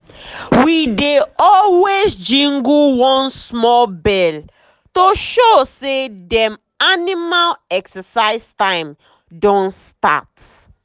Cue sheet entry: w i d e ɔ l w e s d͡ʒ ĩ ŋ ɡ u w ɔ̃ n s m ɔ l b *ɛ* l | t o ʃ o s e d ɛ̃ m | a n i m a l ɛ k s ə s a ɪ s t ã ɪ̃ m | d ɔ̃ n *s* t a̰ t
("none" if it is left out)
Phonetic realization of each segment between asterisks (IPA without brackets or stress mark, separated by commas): ɛ, s